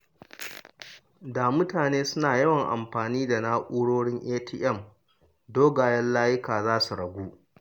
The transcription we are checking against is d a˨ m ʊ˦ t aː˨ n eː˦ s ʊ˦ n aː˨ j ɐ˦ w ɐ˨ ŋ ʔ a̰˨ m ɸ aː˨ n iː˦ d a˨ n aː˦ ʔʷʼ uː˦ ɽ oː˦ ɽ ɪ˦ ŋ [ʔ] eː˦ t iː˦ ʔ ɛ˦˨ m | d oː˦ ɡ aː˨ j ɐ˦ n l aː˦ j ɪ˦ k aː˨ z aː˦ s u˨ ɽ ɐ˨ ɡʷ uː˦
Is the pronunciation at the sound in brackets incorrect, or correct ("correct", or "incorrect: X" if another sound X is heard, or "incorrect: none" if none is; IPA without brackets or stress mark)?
correct